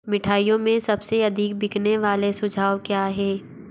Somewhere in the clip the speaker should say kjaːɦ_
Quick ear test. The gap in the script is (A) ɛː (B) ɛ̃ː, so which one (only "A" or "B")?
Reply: A